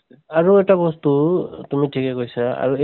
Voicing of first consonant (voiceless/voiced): voiced